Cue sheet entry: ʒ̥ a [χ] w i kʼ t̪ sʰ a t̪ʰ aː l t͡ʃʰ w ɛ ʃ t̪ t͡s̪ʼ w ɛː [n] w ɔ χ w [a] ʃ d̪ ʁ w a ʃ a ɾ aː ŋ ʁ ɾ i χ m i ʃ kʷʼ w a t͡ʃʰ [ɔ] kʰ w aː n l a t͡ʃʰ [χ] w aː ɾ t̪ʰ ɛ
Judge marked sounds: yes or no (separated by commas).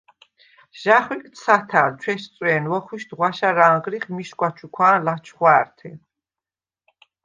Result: yes, yes, no, no, yes